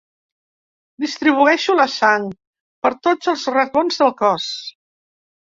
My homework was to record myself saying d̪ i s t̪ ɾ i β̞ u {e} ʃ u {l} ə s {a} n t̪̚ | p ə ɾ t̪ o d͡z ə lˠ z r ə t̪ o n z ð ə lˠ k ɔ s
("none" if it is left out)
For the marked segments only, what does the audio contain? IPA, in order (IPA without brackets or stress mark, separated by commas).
ɛ, l, a